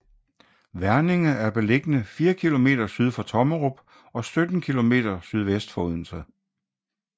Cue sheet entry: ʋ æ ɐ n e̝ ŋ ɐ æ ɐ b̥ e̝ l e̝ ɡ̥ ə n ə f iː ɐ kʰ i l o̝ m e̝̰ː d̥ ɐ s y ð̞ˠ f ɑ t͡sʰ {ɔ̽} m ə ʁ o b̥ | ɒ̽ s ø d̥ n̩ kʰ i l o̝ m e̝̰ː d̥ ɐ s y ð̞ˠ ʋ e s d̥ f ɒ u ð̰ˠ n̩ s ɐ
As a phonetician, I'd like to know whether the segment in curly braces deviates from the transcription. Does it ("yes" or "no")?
yes